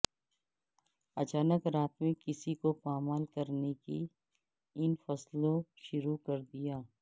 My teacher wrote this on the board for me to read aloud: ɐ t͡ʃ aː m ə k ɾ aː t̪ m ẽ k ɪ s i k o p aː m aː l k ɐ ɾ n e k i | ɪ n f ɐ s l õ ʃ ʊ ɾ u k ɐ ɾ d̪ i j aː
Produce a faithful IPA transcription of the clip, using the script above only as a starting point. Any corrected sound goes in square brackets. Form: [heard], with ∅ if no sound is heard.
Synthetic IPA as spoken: ɐ t͡ʃ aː [n] ə k ɾ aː t̪ m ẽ k ɪ s i k o p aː m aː l k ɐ ɾ n e k i | ɪ n f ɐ s l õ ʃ ʊ ɾ u k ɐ ɾ d̪ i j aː